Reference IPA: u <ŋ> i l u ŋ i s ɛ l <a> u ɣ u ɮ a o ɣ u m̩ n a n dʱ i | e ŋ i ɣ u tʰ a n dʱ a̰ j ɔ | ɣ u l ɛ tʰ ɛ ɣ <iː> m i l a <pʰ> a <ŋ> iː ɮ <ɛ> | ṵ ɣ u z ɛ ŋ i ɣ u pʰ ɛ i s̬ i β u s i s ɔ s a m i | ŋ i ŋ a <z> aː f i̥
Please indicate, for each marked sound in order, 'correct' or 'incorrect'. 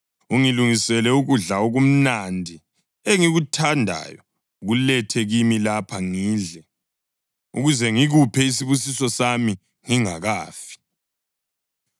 correct, incorrect: ɛ, incorrect: i, correct, correct, correct, incorrect: ɣ

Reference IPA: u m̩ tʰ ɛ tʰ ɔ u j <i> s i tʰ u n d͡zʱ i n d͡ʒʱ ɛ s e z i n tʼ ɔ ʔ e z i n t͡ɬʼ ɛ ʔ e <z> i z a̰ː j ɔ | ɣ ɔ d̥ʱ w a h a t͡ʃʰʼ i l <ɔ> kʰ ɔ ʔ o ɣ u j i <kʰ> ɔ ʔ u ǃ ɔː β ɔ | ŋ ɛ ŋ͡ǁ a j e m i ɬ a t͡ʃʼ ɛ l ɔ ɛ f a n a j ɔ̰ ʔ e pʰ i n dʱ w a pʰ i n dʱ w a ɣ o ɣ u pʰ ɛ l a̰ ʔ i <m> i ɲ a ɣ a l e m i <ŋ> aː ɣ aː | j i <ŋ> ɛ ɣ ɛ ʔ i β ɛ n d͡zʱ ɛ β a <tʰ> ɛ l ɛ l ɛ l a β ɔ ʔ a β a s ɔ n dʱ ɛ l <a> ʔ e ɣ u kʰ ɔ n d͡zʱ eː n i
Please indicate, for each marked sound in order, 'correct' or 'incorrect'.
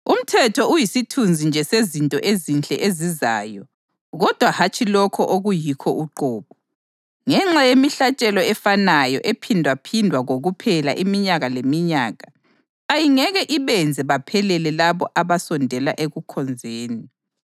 correct, correct, correct, correct, correct, incorrect: ɲ, correct, incorrect: pʰ, correct

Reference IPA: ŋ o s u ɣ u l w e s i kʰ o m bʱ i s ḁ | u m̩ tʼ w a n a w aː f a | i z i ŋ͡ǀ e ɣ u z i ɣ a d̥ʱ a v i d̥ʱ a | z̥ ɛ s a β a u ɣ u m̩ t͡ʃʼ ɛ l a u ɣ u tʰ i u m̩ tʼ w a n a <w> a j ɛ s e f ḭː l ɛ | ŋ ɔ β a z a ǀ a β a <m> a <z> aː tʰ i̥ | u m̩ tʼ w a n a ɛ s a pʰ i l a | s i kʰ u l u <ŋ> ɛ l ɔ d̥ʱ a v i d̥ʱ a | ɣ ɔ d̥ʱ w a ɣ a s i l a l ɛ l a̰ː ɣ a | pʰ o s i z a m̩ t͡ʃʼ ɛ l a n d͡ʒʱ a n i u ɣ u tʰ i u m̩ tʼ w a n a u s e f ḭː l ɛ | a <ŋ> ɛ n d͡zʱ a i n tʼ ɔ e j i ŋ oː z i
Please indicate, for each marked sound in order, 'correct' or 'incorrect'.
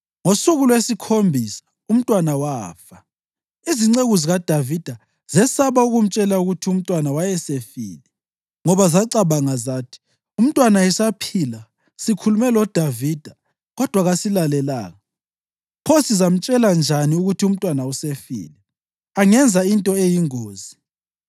correct, incorrect: ŋ, correct, incorrect: m, correct

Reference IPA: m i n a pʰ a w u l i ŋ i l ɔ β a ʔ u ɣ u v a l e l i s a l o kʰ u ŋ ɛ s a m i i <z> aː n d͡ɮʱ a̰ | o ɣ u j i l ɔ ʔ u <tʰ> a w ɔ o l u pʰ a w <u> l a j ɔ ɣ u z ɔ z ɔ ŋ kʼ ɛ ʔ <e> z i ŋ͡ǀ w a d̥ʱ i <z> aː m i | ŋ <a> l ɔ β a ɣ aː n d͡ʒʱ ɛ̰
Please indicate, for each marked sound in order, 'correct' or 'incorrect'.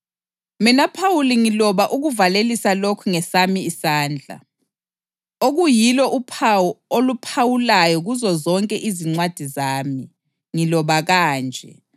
incorrect: s, incorrect: pʰ, correct, incorrect: i, correct, incorrect: i

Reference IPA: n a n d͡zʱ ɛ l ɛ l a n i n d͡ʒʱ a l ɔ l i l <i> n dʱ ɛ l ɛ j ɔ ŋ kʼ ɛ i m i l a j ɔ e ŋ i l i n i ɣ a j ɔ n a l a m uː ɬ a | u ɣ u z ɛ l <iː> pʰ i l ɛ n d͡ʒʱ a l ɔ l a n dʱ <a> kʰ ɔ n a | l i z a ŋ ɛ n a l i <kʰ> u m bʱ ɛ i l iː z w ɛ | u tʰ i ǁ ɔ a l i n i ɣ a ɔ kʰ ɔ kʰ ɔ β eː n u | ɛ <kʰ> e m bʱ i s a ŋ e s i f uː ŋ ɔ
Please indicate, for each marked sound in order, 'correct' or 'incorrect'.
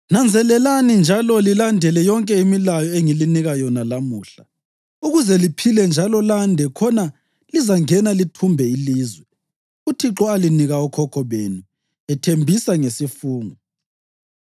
incorrect: a, incorrect: i, incorrect: ɛ, incorrect: tʰ, incorrect: tʰ

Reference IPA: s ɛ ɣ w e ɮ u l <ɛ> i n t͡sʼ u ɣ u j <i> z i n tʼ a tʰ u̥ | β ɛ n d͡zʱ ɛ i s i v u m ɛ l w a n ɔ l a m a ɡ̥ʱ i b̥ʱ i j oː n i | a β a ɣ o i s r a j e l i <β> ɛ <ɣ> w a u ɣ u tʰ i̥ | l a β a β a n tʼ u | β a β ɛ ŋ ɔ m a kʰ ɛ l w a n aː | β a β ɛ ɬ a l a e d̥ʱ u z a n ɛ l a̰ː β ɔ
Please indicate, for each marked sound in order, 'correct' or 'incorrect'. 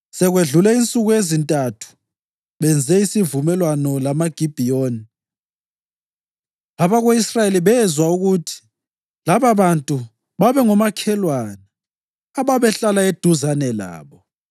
correct, incorrect: e, correct, incorrect: z

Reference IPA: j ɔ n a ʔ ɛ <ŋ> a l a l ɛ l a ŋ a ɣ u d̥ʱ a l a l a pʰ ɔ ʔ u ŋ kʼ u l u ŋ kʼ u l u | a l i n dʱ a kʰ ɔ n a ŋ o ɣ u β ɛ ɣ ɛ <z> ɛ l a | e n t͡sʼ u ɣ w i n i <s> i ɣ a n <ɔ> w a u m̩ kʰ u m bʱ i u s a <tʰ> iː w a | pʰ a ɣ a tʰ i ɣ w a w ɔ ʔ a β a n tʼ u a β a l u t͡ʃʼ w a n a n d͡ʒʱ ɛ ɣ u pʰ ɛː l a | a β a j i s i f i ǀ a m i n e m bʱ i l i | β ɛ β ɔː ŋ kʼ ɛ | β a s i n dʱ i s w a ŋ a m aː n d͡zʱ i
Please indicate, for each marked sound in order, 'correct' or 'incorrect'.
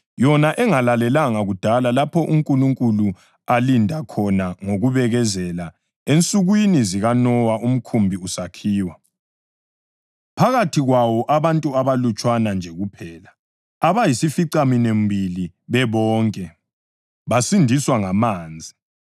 correct, correct, incorrect: z, correct, incorrect: kʰ

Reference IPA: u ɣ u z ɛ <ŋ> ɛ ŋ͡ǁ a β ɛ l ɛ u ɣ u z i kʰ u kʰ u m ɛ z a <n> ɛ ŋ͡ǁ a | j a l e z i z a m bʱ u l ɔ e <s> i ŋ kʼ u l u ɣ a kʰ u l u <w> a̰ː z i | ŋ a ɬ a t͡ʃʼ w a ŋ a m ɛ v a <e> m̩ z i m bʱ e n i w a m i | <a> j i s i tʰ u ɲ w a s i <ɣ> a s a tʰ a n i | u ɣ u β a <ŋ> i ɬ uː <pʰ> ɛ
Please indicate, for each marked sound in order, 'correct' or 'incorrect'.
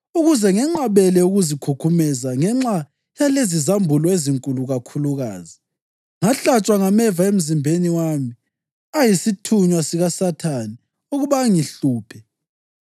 correct, incorrect: ŋ, incorrect: z, incorrect: ɣ, correct, correct, correct, correct, correct

